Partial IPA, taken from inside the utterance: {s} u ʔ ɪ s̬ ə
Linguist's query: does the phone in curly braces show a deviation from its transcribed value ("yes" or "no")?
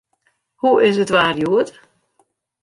yes